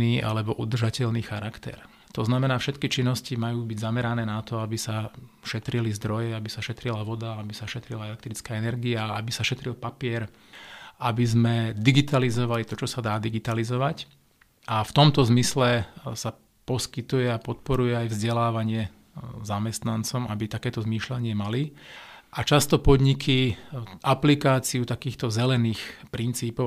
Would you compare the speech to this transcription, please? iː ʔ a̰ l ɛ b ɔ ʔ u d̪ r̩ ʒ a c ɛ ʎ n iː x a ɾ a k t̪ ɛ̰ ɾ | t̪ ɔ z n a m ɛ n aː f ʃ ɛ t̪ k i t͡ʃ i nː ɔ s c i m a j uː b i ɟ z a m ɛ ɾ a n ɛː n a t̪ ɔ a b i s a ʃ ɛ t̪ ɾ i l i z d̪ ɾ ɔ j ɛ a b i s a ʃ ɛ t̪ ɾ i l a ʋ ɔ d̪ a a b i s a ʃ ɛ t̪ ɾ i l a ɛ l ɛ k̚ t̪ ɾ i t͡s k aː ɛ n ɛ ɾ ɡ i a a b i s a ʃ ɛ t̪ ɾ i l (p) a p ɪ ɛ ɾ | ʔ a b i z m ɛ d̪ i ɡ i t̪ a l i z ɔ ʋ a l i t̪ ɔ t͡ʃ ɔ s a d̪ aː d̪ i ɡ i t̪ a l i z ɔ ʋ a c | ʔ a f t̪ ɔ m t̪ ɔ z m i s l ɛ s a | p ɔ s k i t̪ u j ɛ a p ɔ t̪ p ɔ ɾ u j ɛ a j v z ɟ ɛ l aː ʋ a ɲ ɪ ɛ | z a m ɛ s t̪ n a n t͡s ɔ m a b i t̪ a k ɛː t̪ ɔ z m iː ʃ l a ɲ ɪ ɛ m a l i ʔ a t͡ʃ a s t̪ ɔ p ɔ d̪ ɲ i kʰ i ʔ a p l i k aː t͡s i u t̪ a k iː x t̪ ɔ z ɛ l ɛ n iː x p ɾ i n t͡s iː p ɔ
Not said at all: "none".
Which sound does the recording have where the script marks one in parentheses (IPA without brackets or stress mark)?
p